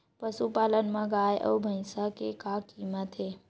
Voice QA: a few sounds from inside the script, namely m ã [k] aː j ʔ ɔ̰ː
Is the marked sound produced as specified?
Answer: no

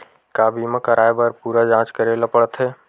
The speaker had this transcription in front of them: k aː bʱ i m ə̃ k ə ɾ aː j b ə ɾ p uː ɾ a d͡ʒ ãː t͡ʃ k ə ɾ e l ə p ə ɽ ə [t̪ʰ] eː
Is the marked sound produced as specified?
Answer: yes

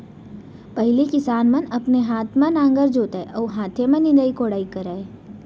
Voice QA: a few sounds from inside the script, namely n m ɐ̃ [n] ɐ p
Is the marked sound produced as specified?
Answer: yes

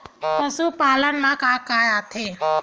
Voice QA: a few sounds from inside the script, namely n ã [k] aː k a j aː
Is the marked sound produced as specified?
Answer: yes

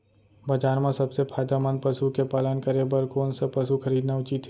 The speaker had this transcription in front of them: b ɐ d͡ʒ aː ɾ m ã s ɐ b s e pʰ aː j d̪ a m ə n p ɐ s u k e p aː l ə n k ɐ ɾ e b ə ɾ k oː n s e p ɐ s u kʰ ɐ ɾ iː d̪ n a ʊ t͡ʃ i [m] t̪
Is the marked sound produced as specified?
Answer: no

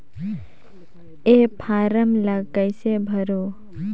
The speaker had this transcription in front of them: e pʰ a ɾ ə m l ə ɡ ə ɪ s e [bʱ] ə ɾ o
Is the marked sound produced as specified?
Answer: yes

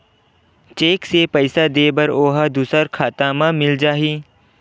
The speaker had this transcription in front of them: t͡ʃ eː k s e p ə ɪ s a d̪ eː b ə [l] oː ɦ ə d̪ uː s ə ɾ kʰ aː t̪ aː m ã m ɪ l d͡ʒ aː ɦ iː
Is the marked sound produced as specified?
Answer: no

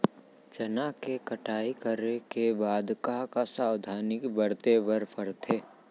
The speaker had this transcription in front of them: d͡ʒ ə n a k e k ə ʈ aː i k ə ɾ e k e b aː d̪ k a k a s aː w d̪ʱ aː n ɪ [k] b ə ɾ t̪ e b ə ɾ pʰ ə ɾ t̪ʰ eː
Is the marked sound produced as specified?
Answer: yes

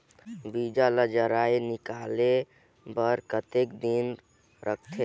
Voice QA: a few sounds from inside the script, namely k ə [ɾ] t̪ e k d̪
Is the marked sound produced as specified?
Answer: no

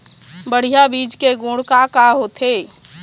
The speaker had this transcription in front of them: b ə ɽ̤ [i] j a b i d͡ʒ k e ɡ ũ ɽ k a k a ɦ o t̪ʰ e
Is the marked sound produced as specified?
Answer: yes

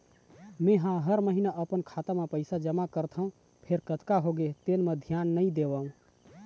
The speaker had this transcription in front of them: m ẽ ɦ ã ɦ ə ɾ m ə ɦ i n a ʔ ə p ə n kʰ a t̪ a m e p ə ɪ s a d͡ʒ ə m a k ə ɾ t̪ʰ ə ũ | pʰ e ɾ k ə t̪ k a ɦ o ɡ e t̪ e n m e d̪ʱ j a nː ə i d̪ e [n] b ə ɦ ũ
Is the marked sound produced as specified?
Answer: no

